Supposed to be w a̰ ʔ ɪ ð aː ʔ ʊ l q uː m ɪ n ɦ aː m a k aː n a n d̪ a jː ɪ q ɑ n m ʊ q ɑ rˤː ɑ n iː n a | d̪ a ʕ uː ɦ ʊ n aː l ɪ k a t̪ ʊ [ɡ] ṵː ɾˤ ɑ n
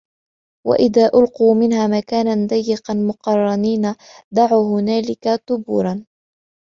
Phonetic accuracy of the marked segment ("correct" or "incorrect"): incorrect